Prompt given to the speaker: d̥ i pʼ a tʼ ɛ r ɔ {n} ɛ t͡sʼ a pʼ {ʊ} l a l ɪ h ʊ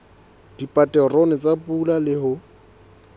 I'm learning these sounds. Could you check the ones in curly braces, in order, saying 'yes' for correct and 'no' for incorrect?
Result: yes, no

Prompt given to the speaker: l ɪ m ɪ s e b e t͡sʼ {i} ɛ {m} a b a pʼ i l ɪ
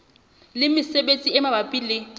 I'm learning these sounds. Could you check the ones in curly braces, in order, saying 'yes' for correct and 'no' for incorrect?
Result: yes, yes

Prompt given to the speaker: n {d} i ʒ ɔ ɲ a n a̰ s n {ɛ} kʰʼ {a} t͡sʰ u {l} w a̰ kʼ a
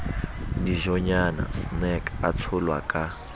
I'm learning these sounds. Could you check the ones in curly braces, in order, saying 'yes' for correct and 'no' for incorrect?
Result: yes, yes, yes, yes

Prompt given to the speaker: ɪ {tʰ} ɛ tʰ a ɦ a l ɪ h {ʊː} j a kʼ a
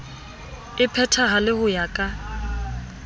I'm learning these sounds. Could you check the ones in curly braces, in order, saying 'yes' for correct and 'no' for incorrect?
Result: no, no

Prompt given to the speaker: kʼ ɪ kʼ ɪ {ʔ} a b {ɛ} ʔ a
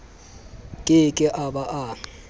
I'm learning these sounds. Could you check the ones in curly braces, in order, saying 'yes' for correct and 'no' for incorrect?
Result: yes, no

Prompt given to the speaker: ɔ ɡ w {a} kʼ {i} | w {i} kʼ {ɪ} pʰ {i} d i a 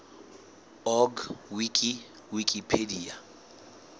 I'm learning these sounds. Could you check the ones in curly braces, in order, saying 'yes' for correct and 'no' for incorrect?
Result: no, yes, yes, no, no

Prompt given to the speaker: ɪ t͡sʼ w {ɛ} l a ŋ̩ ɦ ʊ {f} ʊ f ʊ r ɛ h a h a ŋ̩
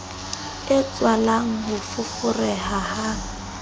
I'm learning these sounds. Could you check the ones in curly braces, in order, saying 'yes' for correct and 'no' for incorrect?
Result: no, yes

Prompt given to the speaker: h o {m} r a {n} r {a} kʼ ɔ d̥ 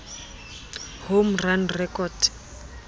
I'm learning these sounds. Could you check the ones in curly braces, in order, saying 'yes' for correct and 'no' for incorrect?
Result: yes, yes, no

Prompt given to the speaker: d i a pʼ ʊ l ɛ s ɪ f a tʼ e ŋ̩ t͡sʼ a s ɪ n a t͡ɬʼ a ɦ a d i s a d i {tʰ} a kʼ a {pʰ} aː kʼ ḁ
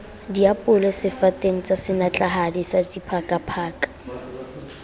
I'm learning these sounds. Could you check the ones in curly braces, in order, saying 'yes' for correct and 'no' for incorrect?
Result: no, yes

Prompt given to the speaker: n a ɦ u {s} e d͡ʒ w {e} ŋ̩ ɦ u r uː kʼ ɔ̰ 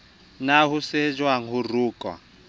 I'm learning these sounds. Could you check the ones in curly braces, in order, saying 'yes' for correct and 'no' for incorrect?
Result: yes, no

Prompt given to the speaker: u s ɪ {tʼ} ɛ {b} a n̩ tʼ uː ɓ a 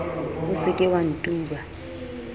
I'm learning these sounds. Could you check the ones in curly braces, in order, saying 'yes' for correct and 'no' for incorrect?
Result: no, no

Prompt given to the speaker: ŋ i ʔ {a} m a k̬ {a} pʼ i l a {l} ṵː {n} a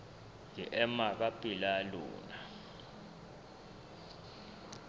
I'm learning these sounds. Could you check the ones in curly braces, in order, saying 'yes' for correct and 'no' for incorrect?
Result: no, yes, yes, yes

